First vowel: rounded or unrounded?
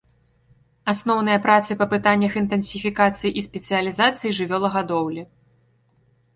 unrounded